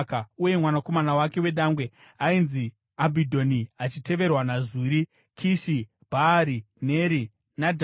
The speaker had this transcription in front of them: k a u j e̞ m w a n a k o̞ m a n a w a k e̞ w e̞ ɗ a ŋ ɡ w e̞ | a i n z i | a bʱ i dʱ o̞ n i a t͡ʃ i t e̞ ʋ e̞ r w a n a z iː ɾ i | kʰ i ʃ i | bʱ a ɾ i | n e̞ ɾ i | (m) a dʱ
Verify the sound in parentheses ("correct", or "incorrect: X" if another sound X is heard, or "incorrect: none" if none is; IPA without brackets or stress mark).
incorrect: n